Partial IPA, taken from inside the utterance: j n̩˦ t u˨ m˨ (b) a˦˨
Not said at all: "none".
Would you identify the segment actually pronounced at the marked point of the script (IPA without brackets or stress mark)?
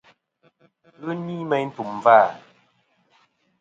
v